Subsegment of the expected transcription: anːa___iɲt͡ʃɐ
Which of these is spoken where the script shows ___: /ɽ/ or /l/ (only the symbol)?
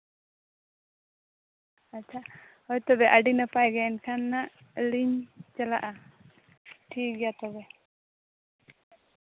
l